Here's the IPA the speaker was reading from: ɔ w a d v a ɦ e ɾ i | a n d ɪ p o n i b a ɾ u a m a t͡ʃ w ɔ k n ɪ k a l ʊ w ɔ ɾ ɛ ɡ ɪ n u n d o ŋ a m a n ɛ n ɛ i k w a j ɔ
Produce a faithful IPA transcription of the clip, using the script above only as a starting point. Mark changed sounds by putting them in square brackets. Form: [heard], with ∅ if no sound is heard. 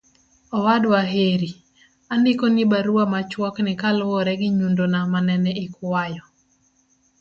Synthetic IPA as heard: ɔ w a d [w] a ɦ e ɾ i | a n d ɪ [k] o n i b a ɾ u a m a t͡ʃ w ɔ k n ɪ k a l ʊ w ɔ ɾ ɛ ɡ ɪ [ɲ] u n d o [n] a m a n ɛ n ɛ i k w a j ɔ

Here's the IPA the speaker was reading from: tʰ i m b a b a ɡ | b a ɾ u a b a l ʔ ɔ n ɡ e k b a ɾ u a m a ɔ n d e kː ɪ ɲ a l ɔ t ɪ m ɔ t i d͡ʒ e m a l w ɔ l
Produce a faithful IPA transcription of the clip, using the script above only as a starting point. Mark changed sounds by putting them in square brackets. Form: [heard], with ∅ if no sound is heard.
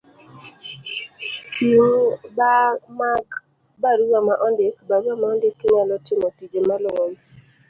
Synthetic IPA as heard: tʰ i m b a [m] a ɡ | b a ɾ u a [m] a [∅] ʔ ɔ n [d] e k b a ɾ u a m a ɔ n d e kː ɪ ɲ a l ɔ t ɪ m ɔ t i d͡ʒ e m a l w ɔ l

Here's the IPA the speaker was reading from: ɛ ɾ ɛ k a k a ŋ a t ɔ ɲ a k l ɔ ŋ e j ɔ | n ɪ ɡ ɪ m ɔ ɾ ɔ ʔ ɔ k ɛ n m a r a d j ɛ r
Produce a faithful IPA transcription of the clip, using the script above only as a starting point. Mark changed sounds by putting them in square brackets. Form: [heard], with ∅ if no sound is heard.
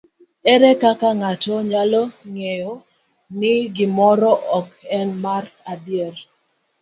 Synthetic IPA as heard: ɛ ɾ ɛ k a k a ŋ a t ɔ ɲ a [∅] l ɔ ŋ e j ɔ | n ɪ ɡ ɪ m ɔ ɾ ɔ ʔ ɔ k ɛ n m a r a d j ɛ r

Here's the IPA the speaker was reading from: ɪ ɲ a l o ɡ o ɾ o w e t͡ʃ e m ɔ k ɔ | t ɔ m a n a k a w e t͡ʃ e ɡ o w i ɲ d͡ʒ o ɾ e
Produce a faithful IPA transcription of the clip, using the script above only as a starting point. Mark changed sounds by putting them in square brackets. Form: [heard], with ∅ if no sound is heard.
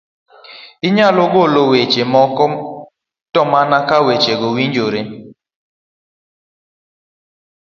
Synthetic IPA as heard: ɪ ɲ a l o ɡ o [l] o w e t͡ʃ e m ɔ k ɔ | t ɔ m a n a k a w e t͡ʃ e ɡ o w i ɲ d͡ʒ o ɾ e

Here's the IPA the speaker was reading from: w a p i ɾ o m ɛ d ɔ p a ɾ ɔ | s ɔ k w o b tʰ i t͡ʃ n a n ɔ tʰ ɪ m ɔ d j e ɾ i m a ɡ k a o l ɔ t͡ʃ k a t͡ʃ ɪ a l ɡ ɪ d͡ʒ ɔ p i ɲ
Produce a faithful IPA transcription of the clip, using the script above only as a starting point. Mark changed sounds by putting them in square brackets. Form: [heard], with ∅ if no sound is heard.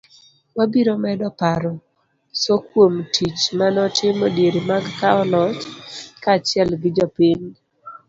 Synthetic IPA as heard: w a [b] i ɾ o m ɛ d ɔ p a ɾ ɔ | s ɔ k w o [m] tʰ i t͡ʃ [m] a n ɔ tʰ ɪ m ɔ d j e ɾ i m a ɡ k a [ɔ] l ɔ t͡ʃ k a t͡ʃ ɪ [ɛ] l ɡ ɪ d͡ʒ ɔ p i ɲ

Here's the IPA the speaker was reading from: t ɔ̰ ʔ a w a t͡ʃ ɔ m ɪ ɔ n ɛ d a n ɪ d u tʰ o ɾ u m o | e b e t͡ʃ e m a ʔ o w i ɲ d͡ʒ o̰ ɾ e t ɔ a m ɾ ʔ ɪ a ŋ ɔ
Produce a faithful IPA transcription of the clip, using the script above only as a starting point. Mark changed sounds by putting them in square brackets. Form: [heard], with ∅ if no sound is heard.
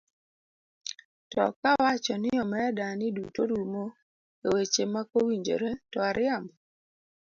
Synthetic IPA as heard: t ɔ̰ [k] a w a t͡ʃ ɔ [n] ɪ ɔ [m] ɛ d a n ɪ d u [t] o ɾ u m o | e [w] e t͡ʃ e m a [k] o w i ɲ d͡ʒ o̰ ɾ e t ɔ a [∅] ɾ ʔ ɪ a [m] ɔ

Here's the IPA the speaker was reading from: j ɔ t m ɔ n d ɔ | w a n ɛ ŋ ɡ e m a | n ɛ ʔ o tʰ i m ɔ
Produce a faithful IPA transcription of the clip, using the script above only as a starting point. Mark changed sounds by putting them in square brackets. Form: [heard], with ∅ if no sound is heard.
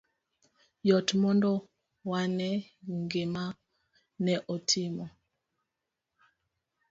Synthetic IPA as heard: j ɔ t m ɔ n d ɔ | w a n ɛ ŋ ɡ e m a | n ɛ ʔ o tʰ i m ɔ

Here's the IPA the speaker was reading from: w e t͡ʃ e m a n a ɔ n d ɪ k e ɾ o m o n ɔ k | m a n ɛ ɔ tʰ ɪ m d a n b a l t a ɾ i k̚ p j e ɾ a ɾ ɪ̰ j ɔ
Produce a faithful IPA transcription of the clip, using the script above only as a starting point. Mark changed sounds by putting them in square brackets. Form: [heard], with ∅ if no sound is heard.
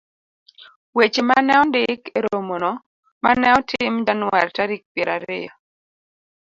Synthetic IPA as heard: w e t͡ʃ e m a n [ɛ] ɔ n d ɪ k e ɾ o m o n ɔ [∅] | m a n ɛ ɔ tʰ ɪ m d a n [w] a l t a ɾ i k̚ p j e ɾ a ɾ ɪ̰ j ɔ

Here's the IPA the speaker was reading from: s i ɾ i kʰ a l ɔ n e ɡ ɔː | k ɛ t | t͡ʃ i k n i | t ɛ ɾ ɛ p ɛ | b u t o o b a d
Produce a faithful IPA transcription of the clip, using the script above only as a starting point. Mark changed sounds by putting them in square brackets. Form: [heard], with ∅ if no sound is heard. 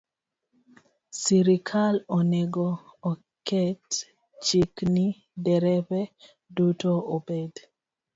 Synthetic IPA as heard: s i ɾ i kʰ a l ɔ n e ɡ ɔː | k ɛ t | t͡ʃ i k n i | [d] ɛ ɾ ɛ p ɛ | [d] u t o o b [e] d

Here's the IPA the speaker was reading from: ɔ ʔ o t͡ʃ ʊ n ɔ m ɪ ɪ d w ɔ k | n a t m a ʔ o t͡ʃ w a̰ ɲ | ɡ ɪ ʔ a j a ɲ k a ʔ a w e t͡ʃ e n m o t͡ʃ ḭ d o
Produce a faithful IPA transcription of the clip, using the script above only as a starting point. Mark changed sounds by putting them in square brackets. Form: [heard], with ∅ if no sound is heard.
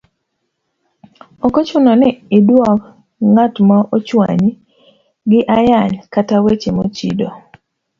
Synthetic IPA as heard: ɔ [k] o t͡ʃ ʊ n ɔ [n] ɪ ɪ d w ɔ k | [ŋ] a t m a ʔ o t͡ʃ w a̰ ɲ | ɡ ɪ ʔ a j a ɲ k a [t] a w e t͡ʃ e [∅] m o t͡ʃ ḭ d o

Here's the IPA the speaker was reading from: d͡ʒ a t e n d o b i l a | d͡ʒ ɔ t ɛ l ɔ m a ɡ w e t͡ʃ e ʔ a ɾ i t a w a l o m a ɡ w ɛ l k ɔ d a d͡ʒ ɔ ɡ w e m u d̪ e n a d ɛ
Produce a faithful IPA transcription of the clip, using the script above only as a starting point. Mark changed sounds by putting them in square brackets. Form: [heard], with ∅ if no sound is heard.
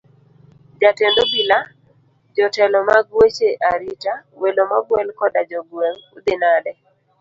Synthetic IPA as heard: d͡ʒ a t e n d o b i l a | d͡ʒ ɔ t ɛ l ɔ m a ɡ w e t͡ʃ e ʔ a ɾ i t a w [e] l o m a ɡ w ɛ l k ɔ d a d͡ʒ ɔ ɡ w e [ŋ] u d̪ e n a d ɛ

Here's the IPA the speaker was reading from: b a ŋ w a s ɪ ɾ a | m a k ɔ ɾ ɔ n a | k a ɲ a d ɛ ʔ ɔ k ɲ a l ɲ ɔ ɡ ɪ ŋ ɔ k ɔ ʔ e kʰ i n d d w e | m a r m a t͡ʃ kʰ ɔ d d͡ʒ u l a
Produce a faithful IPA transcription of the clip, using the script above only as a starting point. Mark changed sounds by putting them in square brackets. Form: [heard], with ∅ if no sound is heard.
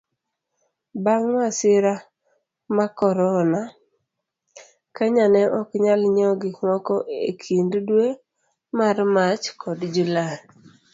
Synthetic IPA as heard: b a ŋ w a s ɪ ɾ a | m a k ɔ ɾ ɔ n a | k a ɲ a [n] ɛ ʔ ɔ k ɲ a l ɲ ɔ ɡ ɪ ŋ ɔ k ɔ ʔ e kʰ i n d d w e | m a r m a t͡ʃ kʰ ɔ d d͡ʒ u l a

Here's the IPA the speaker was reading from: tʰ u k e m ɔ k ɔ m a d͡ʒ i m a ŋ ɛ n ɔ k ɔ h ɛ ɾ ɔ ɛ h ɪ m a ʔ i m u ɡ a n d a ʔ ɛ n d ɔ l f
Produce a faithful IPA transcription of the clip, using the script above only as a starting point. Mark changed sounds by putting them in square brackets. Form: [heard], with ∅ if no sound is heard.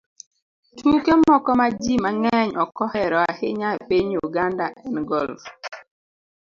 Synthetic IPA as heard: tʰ u k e m ɔ k ɔ m a d͡ʒ i m a ŋ ɛ [ɲ] ɔ k ɔ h ɛ ɾ ɔ [a] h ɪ [ɲ] a [p] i [ɲ] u ɡ a n d a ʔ ɛ n [ɡ] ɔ l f

